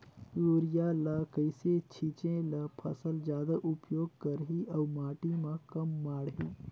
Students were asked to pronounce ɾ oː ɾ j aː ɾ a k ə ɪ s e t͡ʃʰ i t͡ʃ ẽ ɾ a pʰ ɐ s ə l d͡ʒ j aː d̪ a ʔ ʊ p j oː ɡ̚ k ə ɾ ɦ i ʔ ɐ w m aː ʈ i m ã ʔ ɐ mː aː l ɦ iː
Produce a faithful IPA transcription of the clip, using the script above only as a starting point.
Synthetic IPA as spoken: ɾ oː ɾ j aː l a k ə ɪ s e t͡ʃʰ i t͡ʃ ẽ l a pʰ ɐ s ə l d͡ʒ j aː d̪ a ʔ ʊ p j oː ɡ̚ k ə ɾ ɦ i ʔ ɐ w m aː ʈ i m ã k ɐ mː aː ɽ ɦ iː